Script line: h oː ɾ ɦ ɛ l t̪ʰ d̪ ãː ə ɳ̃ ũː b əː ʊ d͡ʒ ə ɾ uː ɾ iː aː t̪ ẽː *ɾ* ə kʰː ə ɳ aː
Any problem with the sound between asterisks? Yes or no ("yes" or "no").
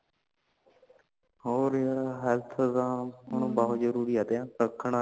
no